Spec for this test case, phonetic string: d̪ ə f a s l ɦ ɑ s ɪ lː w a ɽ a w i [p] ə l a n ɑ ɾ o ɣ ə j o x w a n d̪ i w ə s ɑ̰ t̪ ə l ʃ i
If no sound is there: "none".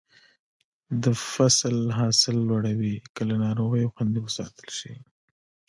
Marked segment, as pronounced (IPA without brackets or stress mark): k